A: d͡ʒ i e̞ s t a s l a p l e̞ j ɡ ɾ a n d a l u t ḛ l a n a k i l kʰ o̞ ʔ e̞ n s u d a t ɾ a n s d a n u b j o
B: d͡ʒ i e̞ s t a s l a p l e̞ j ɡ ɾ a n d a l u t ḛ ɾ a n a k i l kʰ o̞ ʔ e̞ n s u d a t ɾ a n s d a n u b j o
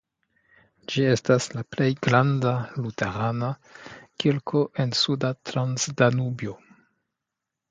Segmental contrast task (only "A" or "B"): B